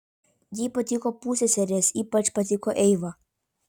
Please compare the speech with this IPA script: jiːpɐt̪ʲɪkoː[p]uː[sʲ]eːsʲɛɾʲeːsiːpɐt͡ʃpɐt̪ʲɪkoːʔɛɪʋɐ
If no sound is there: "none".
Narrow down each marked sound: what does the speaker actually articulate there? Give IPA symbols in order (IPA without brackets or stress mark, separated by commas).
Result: p, sʲ